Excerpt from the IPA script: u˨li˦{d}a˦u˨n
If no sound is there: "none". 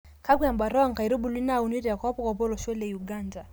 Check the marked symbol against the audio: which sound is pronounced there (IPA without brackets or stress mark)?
n